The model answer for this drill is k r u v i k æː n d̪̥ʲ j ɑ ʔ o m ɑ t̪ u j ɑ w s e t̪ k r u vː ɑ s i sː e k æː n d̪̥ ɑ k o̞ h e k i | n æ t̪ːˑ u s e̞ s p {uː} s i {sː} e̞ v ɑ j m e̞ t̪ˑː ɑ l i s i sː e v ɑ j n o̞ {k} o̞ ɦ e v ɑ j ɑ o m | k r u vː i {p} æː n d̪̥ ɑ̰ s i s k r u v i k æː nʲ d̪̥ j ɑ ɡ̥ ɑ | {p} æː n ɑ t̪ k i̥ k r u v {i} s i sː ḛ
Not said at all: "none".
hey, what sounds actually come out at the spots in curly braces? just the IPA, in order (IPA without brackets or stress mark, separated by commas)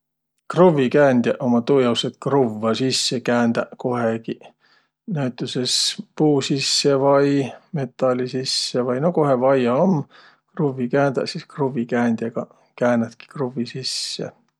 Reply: uː, sː, k, k, k, i